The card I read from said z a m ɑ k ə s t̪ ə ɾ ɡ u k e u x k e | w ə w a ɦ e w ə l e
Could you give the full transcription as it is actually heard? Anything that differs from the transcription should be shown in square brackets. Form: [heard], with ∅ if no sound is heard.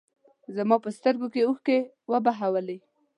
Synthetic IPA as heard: z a m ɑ [p] ə s t̪ ə ɾ ɡ [o] k e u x k e | w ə [b] a ɦ [a] w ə l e